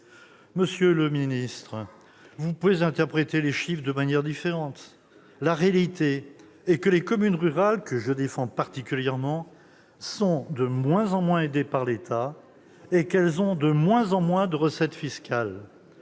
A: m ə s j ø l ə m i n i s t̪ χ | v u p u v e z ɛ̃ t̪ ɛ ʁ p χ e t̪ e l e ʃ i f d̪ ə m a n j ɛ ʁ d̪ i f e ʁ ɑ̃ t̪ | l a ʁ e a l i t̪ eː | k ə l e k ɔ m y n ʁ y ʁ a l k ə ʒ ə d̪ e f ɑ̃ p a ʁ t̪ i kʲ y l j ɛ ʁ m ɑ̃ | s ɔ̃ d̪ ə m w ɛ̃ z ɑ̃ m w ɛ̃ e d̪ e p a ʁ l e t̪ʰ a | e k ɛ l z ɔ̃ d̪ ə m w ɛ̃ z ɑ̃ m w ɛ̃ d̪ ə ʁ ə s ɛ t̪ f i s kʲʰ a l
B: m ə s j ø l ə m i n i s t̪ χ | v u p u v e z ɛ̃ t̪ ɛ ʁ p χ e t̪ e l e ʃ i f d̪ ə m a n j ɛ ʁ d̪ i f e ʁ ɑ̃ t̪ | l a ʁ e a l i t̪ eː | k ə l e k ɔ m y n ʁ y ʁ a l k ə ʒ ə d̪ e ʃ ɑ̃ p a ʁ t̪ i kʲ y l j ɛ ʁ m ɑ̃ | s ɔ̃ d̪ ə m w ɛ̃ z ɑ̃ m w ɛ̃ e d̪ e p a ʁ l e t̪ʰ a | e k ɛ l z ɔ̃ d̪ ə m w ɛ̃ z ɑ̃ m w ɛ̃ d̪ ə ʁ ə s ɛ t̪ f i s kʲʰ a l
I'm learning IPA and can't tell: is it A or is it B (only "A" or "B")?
A